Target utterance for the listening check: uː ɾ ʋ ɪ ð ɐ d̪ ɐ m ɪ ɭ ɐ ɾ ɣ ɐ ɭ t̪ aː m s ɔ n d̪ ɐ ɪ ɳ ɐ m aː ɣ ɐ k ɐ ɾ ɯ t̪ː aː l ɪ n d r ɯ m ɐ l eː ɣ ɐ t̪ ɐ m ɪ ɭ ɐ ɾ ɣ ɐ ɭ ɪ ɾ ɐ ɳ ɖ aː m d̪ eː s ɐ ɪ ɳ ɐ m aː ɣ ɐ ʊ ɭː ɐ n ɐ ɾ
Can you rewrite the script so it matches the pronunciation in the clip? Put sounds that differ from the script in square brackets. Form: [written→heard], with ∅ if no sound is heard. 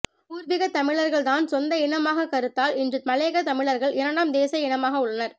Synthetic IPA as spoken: uː ɾ ʋ ɪ [ð→ɣ] ɐ [d̪→t̪] ɐ m ɪ ɭ ɐ ɾ ɣ ɐ ɭ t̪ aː [m→n] s ɔ n d̪ ɐ ɪ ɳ ɐ m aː ɣ ɐ k ɐ ɾ ɯ t̪ː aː l ɪ n d r ɯ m ɐ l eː ɣ ɐ t̪ ɐ m ɪ ɭ ɐ ɾ ɣ ɐ ɭ ɪ ɾ ɐ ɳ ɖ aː m d̪ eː s ɐ ɪ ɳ ɐ m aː ɣ ɐ ʊ ɭː ɐ n ɐ ɾ

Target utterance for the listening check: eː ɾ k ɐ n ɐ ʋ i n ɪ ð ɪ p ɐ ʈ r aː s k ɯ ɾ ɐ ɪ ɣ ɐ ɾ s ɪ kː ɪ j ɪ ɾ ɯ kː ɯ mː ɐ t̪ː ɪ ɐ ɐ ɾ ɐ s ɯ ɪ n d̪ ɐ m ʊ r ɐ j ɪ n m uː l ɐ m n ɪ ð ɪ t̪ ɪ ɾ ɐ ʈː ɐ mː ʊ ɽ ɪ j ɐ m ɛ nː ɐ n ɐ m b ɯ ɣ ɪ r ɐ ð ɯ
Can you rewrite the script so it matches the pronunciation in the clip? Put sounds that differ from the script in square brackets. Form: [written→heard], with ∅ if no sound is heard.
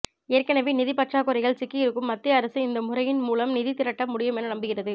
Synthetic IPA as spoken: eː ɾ k ɐ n ɐ ʋ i n ɪ ð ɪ p ɐ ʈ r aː [s→∅] k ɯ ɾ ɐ ɪ ɣ ɐ [ɾ→ɭ] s ɪ kː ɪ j ɪ ɾ ɯ kː ɯ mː ɐ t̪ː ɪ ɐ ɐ ɾ ɐ s ɯ ɪ n d̪ ɐ m ʊ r ɐ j ɪ n m uː l ɐ m n ɪ ð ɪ t̪ ɪ ɾ ɐ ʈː ɐ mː ʊ ɽ ɪ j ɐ m ɛ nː ɐ n ɐ m b ɯ ɣ ɪ r ɐ ð ɯ

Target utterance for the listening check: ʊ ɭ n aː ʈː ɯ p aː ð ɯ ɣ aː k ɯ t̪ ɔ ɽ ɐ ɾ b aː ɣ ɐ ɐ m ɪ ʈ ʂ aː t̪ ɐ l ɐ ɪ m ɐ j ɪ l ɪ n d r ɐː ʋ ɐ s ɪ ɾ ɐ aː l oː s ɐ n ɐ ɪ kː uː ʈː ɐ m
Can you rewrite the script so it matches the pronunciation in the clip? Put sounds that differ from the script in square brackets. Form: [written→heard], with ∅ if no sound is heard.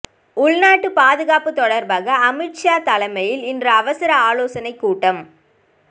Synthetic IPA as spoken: ʊ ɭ n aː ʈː ɯ p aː ð ɯ ɣ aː [k→p] ɯ t̪ ɔ ɽ ɐ ɾ b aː ɣ ɐ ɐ m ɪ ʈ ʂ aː t̪ ɐ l ɐ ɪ m ɐ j ɪ l ɪ n d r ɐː ʋ ɐ s ɪ ɾ ɐ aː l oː s ɐ n ɐ ɪ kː uː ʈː ɐ m

